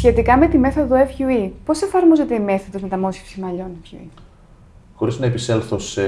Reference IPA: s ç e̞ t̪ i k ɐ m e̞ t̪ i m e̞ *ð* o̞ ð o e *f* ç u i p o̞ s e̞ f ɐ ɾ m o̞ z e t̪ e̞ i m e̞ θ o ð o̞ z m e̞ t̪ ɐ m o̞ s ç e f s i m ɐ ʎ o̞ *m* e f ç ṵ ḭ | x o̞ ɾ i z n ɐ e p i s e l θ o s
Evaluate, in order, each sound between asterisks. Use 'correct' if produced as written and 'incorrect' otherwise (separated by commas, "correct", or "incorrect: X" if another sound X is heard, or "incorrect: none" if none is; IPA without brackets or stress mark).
incorrect: θ, correct, incorrect: n